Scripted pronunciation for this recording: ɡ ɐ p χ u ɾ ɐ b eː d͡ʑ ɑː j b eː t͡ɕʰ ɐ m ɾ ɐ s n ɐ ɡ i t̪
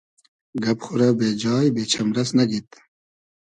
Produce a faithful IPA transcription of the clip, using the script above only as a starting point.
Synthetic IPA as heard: ɡ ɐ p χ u ɾ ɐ b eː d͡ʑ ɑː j b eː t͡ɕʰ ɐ m ɾ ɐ s n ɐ ɡ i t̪